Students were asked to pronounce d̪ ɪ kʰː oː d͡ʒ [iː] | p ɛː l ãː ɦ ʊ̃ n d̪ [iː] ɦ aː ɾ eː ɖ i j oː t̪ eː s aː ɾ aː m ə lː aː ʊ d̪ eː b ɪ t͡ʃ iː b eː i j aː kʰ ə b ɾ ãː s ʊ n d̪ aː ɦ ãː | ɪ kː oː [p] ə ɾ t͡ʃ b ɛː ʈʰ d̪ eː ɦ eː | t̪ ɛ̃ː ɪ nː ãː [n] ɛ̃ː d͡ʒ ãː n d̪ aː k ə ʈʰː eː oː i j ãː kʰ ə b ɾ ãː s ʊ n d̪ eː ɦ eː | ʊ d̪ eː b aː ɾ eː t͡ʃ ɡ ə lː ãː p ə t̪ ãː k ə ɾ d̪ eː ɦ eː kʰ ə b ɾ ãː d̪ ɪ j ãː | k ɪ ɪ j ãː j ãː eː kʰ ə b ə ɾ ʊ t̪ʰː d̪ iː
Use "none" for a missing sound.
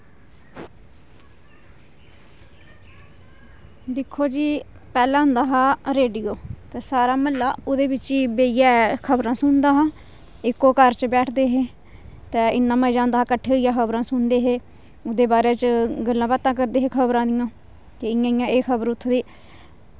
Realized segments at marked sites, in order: iː, aː, k, m

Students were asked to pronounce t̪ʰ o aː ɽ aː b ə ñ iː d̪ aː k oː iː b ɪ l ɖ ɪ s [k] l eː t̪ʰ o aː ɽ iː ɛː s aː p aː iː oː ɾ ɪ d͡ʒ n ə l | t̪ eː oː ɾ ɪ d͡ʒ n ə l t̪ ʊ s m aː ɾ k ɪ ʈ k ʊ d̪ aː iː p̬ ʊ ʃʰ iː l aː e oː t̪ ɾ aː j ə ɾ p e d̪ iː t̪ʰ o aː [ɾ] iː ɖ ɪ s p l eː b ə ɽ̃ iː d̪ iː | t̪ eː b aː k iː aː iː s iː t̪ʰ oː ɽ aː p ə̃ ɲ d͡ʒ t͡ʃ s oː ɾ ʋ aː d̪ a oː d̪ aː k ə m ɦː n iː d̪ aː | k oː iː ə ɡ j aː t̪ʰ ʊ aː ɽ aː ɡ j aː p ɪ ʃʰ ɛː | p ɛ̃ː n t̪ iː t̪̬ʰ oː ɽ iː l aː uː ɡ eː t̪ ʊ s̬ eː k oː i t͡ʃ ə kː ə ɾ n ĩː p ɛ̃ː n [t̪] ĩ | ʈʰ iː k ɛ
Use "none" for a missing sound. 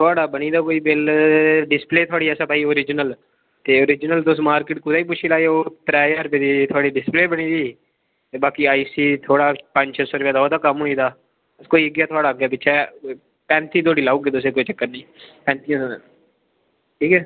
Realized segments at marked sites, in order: p, ɽ, t̪

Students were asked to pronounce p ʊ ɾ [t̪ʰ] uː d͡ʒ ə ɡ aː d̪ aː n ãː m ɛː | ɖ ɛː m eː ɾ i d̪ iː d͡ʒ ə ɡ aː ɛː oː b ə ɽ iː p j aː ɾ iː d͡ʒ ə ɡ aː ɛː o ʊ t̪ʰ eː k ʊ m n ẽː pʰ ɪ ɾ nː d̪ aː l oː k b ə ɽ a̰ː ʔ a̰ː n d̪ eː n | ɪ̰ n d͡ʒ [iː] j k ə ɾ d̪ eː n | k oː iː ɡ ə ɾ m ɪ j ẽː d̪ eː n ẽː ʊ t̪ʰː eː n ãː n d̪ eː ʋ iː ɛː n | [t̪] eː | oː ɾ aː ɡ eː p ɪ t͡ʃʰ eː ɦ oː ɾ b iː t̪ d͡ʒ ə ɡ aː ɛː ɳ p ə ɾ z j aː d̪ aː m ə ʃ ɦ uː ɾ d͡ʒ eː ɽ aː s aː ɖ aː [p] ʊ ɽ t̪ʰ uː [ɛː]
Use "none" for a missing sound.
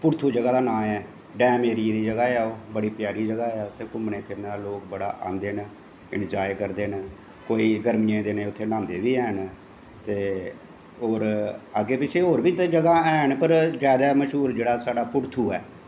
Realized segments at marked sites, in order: t̪ʰ, aː, t̪, p, ɛː

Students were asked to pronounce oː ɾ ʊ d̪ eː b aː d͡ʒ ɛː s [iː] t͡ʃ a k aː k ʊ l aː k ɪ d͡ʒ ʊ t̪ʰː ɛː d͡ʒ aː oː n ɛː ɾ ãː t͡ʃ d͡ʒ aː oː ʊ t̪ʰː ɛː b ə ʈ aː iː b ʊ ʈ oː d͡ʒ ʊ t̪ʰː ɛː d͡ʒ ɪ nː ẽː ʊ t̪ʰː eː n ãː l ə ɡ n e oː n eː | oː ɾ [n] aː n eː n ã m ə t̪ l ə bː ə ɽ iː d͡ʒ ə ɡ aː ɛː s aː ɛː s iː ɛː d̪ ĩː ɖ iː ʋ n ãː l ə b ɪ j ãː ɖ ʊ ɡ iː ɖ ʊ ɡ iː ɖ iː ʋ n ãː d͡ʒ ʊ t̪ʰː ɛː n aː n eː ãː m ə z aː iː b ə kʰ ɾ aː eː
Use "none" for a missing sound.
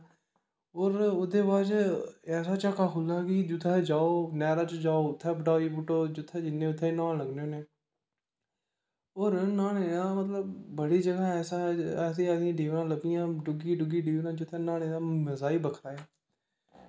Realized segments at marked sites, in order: aː, n

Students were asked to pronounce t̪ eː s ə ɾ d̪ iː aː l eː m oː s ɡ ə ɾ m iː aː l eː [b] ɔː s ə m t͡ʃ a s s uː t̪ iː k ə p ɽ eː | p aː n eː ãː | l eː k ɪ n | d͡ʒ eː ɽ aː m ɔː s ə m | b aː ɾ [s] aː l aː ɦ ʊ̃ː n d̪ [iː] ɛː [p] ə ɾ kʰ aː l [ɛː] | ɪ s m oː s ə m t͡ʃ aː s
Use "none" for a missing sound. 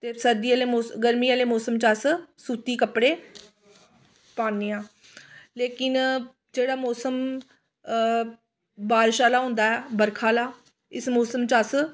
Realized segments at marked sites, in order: m, ʃ, aː, b, aː

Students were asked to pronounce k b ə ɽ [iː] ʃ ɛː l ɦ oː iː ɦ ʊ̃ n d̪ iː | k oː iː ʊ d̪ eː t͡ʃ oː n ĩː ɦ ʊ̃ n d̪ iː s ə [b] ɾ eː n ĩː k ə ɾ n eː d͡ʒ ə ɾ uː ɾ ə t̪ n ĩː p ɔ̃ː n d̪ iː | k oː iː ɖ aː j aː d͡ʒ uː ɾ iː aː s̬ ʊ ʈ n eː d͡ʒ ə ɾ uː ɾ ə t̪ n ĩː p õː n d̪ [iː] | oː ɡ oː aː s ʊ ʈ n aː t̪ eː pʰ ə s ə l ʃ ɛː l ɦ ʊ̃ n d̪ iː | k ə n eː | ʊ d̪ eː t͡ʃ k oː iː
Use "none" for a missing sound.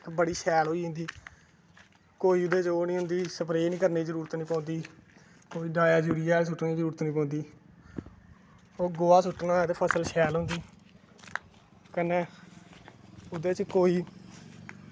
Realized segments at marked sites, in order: iː, p, iː

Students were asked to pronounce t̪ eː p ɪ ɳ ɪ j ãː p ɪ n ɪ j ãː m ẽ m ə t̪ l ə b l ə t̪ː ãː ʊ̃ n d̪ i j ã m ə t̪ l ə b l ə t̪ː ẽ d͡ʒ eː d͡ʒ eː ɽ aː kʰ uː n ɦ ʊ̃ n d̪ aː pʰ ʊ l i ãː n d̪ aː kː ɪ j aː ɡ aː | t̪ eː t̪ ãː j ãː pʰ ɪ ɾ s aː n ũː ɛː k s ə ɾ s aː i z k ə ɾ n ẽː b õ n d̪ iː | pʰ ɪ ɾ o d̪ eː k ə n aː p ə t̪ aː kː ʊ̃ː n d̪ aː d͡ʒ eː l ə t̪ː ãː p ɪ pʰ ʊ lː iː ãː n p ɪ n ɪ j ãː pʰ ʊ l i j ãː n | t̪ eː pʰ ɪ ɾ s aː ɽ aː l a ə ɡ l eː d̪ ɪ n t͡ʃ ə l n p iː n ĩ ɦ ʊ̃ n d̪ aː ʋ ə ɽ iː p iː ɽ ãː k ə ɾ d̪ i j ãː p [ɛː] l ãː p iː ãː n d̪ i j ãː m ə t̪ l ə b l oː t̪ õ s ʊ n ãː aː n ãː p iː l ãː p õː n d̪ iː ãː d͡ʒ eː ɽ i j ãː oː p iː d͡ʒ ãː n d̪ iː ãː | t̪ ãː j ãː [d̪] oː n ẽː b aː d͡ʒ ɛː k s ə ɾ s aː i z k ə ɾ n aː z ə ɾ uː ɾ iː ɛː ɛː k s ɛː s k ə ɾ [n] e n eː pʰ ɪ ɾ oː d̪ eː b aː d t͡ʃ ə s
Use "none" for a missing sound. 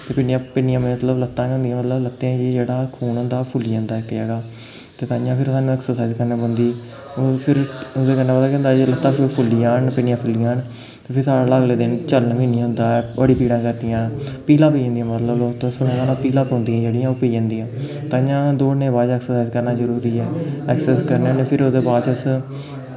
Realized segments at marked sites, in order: iː, d̪, n

